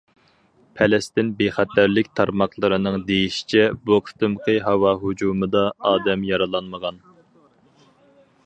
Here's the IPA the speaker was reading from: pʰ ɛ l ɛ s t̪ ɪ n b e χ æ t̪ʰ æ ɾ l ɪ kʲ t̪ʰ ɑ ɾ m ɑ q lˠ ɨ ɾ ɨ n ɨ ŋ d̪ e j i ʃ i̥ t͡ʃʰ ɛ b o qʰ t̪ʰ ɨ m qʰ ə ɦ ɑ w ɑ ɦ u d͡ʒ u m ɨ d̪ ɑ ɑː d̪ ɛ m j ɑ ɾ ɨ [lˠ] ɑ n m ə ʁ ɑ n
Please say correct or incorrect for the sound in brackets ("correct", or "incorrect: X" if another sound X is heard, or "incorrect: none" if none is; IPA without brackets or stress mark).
correct